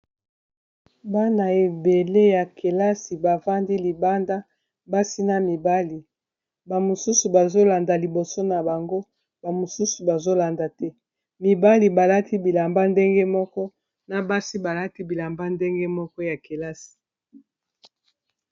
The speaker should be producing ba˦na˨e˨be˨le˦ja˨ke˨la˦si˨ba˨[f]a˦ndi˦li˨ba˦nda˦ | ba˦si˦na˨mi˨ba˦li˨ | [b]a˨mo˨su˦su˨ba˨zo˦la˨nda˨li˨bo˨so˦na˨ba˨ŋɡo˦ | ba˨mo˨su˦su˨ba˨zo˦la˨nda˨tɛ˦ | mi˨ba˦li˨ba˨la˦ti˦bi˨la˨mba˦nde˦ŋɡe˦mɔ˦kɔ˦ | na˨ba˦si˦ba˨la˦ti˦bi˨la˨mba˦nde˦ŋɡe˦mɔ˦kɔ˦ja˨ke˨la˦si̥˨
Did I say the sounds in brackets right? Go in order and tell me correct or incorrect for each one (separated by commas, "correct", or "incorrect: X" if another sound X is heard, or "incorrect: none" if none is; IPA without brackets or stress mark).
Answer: incorrect: v, correct